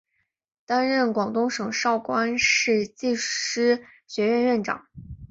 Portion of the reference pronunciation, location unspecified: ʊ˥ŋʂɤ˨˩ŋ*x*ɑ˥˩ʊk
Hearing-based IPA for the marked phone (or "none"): ʂ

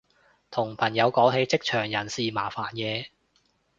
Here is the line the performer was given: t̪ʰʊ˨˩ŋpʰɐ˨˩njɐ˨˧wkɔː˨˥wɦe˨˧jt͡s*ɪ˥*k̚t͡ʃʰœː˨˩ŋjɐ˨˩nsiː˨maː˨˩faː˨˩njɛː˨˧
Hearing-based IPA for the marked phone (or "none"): ɪ˥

